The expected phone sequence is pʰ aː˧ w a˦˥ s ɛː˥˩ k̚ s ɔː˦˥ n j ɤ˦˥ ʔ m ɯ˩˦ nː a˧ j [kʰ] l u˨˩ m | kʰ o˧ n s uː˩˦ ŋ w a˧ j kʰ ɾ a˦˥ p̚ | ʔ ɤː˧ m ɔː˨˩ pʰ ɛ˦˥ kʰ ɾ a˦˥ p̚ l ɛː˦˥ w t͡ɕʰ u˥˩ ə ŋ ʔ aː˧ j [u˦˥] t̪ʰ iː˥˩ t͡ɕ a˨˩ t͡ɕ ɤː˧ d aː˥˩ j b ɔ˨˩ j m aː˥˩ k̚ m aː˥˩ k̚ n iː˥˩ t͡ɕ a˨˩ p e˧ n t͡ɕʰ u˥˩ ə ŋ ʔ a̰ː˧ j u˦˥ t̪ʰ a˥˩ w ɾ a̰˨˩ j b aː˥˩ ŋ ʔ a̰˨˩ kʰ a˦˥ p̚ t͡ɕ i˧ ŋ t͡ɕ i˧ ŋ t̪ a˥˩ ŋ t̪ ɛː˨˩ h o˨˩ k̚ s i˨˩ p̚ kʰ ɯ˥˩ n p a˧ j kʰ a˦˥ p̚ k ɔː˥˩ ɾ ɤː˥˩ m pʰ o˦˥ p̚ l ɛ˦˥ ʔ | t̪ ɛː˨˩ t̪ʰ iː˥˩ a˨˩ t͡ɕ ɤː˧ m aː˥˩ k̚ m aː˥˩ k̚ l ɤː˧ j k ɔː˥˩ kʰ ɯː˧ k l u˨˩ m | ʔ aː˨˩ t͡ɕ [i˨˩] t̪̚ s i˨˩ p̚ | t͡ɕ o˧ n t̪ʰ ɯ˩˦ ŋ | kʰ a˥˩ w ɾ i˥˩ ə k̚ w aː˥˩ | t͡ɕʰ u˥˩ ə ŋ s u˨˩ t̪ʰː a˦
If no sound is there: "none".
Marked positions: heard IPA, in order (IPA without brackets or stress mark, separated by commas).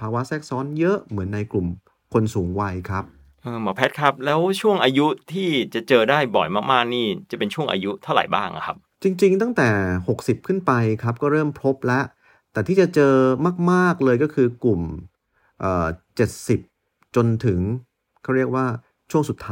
k, u˦˥, e˨˩